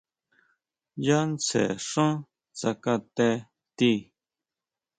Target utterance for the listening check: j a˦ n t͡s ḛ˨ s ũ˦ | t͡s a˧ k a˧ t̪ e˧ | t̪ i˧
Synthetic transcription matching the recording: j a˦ n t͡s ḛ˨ ʂ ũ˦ | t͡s a˧ k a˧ t̪ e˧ | t̪ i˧